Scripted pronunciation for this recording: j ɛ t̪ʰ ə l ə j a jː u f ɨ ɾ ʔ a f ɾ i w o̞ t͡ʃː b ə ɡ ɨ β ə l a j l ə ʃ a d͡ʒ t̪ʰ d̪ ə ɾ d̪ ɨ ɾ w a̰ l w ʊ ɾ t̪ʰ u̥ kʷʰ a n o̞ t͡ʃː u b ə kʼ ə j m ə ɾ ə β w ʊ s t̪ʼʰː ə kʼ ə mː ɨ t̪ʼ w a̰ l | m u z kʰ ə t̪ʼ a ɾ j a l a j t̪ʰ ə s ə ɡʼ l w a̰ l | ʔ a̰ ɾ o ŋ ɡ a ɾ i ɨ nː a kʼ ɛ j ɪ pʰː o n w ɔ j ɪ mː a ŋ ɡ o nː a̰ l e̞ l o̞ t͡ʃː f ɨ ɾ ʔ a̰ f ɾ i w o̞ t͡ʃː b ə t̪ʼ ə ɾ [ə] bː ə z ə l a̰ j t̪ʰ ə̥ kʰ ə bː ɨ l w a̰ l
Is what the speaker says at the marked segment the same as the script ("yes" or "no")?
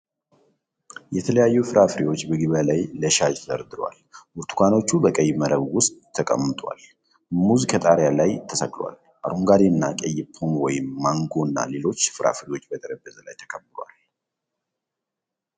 yes